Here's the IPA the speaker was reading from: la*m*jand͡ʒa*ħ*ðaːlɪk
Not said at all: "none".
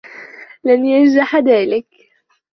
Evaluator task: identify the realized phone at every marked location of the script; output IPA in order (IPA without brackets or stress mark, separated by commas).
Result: n, ħ